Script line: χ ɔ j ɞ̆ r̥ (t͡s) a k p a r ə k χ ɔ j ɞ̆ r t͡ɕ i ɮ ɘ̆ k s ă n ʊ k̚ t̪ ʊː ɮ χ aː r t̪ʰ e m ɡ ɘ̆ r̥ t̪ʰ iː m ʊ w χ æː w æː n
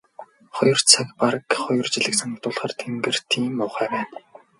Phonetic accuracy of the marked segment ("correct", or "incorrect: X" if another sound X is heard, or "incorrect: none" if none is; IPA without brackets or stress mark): incorrect: t͡sʰ